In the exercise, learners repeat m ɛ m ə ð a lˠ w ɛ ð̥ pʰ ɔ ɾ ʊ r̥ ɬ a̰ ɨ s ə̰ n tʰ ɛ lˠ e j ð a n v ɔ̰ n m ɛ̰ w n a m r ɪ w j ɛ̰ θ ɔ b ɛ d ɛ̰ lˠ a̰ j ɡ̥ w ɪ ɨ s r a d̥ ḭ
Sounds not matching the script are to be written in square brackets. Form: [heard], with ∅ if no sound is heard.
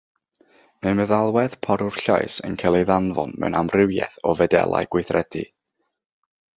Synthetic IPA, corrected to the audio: m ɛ m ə ð a lˠ w ɛ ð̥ pʰ ɔ ɾ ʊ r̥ ɬ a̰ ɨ s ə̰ n [kʰ] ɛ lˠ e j ð a n v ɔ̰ n m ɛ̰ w n a m r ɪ w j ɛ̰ θ ɔ [v] ɛ d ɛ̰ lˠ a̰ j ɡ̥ w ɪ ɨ [θ] r [ɛ] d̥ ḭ